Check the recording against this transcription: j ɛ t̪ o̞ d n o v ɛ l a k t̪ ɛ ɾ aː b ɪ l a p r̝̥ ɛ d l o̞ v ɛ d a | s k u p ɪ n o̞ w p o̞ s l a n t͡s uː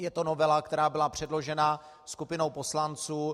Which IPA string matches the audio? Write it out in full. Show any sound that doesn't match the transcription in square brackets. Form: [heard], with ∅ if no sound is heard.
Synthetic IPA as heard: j ɛ t̪ o̞ [∅] n o v ɛ l a k t̪ ɛ ɾ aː b ɪ l a p r̝̥ ɛ d l o̞ [ʒ] ɛ [n] a | s k u p ɪ n o̞ w p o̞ s l a n t͡s uː